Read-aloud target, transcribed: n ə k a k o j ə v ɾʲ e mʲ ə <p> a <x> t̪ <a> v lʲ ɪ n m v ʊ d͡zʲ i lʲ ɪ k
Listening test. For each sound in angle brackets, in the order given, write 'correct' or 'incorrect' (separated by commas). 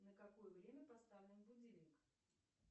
correct, incorrect, correct